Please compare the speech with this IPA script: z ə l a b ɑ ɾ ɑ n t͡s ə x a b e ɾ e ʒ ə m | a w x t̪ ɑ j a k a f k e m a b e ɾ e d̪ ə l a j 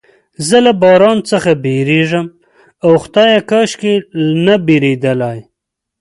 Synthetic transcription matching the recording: z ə l a b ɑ ɾ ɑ n t͡s ə x a b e ɾ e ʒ ə m | a w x t̪ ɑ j a k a ʃ k e n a b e ɾ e d̪ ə l a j